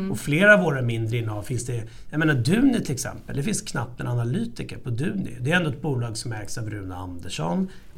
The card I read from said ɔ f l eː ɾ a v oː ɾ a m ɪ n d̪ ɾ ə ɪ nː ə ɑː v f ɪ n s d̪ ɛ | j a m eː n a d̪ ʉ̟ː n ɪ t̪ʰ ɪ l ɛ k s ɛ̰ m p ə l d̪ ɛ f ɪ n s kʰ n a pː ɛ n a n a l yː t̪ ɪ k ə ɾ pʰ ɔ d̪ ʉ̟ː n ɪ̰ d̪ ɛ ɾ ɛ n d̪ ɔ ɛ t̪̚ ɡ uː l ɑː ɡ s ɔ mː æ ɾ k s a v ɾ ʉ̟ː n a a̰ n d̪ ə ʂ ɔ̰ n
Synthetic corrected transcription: ɔ f l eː ɾ a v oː ɾ a m ɪ n d̪ ɾ ə ɪ nː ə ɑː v f ɪ n s d̪ ɛ | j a m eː n a d̪ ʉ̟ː n ɪ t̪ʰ ɪ l ɛ k s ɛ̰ m p ə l d̪ ɛ f ɪ n s kʰ n a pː ɛ n a n a l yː t̪ ɪ k ə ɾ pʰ ɔ d̪ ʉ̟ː n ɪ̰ d̪ ɛ ɾ ɛ n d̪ ɔ ɛ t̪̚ b uː l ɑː ɡ s ɔ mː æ ɾ k s a v ɾ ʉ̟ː n a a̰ n d̪ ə ʂ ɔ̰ n